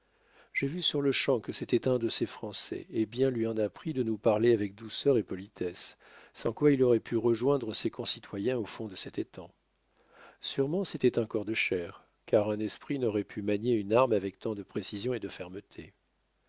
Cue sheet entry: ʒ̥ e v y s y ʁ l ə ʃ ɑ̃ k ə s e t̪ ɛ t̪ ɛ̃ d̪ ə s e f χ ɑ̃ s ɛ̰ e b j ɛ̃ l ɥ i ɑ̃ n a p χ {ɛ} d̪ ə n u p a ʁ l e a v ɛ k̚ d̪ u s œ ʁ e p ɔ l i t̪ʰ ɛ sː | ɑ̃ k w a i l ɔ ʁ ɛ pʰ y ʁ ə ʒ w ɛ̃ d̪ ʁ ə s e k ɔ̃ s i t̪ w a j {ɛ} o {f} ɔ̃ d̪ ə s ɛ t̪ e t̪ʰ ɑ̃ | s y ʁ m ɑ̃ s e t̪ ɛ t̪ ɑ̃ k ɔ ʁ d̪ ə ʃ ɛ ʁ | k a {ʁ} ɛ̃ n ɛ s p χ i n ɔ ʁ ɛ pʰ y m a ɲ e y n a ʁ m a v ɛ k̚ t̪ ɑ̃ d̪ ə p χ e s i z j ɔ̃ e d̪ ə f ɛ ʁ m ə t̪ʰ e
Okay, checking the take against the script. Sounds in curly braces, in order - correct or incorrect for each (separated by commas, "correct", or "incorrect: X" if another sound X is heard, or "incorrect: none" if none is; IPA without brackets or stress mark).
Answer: incorrect: i, incorrect: ɛ̃, correct, correct